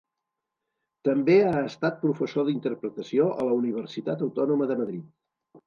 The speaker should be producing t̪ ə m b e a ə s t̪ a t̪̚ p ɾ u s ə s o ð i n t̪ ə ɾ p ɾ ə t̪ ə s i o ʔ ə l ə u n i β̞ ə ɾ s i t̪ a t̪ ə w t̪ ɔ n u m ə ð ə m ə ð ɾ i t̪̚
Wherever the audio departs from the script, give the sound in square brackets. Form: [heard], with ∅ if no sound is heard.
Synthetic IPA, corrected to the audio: t̪ ə m b e a ə s t̪ a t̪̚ p ɾ u [f] ə s o ð i n t̪ ə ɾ p ɾ ə t̪ ə s i o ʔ ə l ə u n i β̞ ə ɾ s i t̪ a t̪ ə w t̪ ɔ n u m ə ð ə m ə ð ɾ i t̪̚